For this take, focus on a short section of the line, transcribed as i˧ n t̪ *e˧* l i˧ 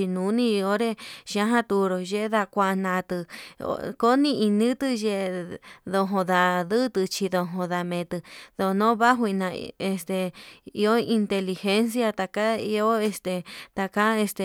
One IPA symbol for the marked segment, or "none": e˧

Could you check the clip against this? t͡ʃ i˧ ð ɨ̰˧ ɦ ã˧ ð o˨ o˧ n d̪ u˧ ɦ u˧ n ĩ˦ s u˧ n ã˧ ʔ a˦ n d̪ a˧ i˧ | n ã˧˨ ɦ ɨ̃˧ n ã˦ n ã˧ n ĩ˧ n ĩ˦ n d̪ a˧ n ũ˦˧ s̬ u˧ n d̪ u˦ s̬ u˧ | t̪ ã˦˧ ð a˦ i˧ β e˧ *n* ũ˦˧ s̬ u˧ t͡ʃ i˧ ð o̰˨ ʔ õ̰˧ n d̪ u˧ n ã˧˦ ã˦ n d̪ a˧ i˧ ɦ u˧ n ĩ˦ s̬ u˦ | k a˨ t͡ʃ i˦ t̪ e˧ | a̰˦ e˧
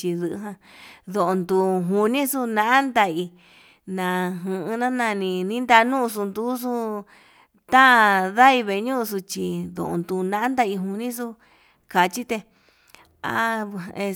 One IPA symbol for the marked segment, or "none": ɲ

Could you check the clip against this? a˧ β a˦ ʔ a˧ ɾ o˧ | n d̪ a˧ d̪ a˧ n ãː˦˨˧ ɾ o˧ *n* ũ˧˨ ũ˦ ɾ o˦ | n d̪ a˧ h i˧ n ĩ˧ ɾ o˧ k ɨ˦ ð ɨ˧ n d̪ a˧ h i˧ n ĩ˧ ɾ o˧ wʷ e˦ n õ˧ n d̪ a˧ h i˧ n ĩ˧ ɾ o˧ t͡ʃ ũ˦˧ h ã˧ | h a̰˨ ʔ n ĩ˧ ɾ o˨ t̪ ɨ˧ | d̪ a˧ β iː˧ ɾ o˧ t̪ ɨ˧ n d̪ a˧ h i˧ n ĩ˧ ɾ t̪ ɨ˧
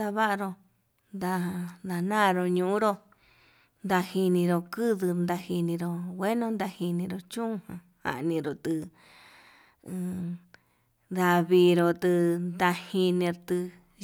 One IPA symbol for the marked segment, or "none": ɲ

